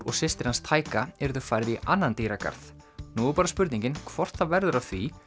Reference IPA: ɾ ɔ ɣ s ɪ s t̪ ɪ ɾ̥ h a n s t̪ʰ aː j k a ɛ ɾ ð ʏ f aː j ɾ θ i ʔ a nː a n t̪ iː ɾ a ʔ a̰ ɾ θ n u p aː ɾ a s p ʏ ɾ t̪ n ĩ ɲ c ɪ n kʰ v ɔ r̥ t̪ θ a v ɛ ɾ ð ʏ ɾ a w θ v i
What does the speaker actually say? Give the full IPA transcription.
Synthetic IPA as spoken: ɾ ɔ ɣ s ɪ s t̪ ɪ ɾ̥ h a n s t̪ʰ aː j k a ɛ ɾ ð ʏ f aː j ɾ ð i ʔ a nː a n t̪ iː ɾ a k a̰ ɾ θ n u p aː ɾ a s p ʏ ɾ t̪ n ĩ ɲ c ɪ n kʰ v ɔ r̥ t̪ θ a v ɛ ɾ ð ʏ ɾ a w θ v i